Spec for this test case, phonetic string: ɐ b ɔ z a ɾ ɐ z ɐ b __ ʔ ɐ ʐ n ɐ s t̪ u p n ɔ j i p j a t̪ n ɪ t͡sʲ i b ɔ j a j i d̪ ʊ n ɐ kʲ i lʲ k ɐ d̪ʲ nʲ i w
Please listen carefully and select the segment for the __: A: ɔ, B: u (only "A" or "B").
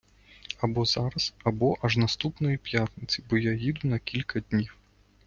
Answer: A